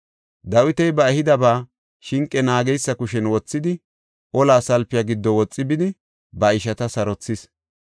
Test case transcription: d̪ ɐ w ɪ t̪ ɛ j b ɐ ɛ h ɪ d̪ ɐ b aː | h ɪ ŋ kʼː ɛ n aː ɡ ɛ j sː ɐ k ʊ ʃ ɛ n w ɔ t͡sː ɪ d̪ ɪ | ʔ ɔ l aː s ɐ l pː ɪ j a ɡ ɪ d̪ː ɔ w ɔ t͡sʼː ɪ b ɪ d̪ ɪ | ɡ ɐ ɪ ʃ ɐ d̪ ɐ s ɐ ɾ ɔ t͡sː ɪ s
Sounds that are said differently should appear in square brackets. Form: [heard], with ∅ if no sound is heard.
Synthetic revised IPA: d̪ ɐ w ɪ t̪ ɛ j b ɐ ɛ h ɪ d̪ ɐ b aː | [ʃ] ɪ ŋ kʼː ɛ n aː ɡ ɛ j sː ɐ k ʊ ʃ ɛ n w ɔ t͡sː ɪ d̪ ɪ | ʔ ɔ l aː s ɐ l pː ɪ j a ɡ ɪ d̪ː ɔ w ɔ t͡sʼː ɪ b ɪ d̪ ɪ | [b] ɐ ɪ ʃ ɐ [t̪] ɐ s ɐ ɾ ɔ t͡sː ɪ s